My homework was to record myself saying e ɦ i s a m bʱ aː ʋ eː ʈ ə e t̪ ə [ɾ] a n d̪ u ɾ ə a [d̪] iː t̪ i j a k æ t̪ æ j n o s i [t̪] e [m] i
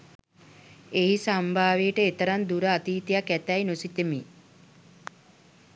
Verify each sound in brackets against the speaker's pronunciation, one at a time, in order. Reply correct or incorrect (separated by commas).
correct, incorrect, correct, correct